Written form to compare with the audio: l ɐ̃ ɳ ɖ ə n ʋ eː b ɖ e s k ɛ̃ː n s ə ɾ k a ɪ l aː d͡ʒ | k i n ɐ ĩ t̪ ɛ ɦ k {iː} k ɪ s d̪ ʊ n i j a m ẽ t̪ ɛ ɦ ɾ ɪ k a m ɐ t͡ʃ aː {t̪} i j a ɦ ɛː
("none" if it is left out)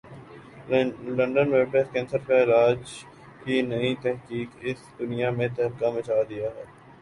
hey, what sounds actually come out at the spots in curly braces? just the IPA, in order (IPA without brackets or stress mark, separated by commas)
iː, d̪